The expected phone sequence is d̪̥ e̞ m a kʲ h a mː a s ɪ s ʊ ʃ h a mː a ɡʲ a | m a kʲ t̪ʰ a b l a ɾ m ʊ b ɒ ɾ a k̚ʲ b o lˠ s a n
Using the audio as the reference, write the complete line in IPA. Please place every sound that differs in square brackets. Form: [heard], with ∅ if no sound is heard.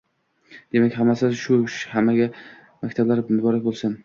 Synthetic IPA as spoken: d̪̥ e̞ m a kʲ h a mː a s ɪ [ʃ] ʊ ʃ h a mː a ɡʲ a | m a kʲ t̪ʰ a b l a ɾ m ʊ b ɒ ɾ a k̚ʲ b o lˠ s a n